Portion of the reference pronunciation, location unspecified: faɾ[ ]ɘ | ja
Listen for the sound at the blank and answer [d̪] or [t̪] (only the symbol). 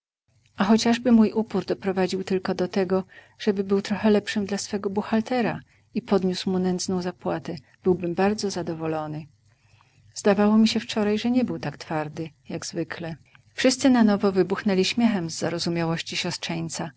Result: d̪